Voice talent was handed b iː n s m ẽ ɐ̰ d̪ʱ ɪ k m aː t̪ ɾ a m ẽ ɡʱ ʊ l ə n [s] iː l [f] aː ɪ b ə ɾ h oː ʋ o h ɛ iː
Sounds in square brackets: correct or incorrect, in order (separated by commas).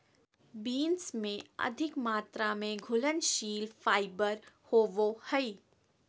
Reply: incorrect, correct